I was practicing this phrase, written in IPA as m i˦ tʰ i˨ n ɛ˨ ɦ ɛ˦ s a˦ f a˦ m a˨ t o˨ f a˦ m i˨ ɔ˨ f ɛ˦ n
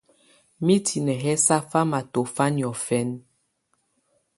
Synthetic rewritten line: m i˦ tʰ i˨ n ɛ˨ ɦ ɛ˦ s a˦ f a˦ m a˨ t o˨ f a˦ n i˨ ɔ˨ f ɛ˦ n